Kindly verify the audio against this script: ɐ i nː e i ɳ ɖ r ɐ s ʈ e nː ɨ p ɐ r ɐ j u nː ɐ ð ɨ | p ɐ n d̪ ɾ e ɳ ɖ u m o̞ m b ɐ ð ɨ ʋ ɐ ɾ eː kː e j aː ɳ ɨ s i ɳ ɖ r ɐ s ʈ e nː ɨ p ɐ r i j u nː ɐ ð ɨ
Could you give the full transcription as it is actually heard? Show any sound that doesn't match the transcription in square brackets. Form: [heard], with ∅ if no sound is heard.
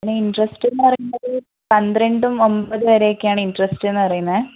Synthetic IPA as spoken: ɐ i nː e i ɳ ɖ r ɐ s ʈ e nː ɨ p ɐ r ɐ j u nː ɐ ð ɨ | p ɐ n d̪ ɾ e ɳ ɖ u m o̞ m b ɐ ð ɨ ʋ ɐ ɾ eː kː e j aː ɳ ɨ [∅] i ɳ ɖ r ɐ s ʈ e nː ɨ p ɐ r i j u nː ɐ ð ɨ

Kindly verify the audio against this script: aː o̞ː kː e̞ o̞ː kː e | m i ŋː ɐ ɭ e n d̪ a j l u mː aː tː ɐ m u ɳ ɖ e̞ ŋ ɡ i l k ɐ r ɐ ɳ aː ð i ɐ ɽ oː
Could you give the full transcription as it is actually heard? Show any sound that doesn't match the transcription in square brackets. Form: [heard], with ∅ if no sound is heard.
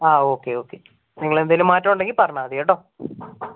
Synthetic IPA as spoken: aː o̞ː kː e̞ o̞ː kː e | [n] i ŋː ɐ ɭ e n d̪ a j l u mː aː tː ɐ m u ɳ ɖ e̞ ŋ ɡ i l [p] ɐ r ɐ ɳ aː ð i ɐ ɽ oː

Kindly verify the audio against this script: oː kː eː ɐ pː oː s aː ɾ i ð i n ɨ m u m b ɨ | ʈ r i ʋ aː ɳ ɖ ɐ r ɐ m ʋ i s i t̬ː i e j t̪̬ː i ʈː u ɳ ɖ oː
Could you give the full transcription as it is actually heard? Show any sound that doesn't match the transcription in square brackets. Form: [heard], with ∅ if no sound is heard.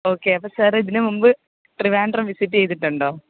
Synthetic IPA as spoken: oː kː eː ɐ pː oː s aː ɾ i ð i n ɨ m u m b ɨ | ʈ r i ʋ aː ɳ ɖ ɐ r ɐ m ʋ i s i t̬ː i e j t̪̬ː i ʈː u ɳ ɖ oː

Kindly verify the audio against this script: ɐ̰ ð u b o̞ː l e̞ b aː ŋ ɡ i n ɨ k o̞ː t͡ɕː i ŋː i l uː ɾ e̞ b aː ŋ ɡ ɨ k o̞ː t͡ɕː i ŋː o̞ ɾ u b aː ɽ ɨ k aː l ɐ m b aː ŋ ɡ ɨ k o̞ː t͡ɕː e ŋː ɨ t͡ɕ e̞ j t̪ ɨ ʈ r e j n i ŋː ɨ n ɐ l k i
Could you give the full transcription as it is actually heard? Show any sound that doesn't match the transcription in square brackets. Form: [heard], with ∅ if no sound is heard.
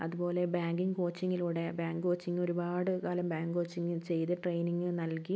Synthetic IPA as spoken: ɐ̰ ð u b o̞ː l e̞ b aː ŋ ɡ i [ŋ] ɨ k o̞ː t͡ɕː i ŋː i l uː [ɽ] e̞ b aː ŋ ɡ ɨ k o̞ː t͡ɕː i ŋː o̞ ɾ u b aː ɽ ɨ k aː l ɐ m b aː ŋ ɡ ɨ k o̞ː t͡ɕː [i] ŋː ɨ t͡ɕ e̞ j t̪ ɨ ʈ r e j n i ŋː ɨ n ɐ l k i

